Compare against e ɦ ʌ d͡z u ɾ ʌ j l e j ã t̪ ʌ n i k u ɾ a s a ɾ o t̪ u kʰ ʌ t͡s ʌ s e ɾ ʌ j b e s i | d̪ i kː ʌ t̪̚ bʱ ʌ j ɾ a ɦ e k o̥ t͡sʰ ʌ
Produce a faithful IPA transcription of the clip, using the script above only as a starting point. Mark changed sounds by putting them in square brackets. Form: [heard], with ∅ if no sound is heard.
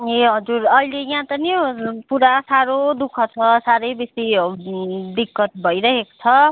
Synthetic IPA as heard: e ɦ ʌ d͡z u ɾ ʌ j l e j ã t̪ ʌ n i [p] u ɾ a s a ɾ o [d̪] u kʰ ʌ [t͡sʰ] ʌ s [a] ɾ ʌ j b e s i | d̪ i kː ʌ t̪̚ bʱ ʌ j ɾ [ʌ] ɦ e k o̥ t͡sʰ ʌ